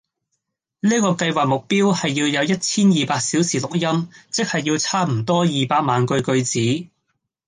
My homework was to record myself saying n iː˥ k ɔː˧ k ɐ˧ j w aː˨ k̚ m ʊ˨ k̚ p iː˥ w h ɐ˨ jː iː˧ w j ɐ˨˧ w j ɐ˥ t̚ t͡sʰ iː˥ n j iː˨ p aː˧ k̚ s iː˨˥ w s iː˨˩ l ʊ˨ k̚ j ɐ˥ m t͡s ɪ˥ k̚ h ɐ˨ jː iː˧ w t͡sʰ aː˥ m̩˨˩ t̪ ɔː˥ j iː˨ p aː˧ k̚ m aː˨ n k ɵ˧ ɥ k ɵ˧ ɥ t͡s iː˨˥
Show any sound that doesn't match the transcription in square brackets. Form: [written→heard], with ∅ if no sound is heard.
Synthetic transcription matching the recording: n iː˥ k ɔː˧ k ɐ˧ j w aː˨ k̚ m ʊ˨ k̚ p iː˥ w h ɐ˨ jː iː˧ w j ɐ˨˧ w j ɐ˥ t̚ t͡sʰ iː˥ n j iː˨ p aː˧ k̚ s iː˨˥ w s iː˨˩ l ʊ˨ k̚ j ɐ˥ m t͡s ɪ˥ k̚ h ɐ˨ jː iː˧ w t͡sʰ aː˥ m̩˨˩ t̪ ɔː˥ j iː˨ p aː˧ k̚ m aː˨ n k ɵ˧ ɥ k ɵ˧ ɥ t͡s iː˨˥